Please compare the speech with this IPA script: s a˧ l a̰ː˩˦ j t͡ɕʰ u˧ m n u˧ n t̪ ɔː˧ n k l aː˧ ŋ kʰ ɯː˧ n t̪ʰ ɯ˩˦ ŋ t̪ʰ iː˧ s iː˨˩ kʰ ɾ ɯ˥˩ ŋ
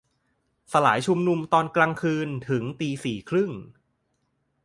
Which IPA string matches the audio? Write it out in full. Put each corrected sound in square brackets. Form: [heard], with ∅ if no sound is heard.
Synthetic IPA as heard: s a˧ l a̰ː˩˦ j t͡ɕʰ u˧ m n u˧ [m] t̪ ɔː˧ n k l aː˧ ŋ kʰ ɯː˧ n t̪ʰ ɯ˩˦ ŋ [t̪] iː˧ s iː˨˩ kʰ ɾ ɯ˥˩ ŋ